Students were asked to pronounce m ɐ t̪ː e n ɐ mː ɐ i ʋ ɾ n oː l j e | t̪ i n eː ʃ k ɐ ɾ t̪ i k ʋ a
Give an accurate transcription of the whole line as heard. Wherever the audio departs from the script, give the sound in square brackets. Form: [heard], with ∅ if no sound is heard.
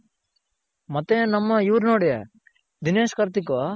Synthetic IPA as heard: m ɐ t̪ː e n ɐ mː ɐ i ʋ ɾ n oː [ɽ] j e | [d̪] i n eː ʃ k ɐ ɾ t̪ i k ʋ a